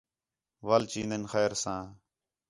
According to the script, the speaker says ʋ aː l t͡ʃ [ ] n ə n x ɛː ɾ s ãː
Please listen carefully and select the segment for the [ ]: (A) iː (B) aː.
A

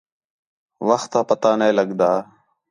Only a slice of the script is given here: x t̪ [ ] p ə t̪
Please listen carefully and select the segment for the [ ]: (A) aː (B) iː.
A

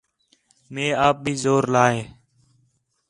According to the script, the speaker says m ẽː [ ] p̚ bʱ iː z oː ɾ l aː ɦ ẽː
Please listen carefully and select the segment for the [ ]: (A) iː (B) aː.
B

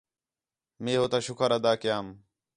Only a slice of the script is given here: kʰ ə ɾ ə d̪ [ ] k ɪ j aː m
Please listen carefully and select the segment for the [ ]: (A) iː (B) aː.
B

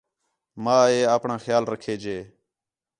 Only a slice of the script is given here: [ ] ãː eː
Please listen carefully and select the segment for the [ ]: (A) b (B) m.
B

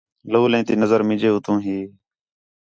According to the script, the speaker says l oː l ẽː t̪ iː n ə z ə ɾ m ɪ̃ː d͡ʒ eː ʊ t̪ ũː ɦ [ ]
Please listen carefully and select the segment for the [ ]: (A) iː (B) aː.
A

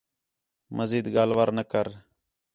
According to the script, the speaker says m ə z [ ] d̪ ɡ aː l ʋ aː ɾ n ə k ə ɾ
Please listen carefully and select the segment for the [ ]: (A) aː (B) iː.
B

